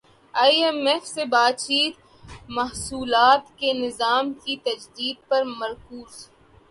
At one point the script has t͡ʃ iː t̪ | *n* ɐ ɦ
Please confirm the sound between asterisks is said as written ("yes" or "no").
no